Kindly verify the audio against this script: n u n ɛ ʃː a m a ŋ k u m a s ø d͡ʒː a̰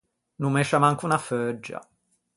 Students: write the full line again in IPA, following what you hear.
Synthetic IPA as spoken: n u m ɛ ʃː a m a ŋ k u n a f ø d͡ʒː a̰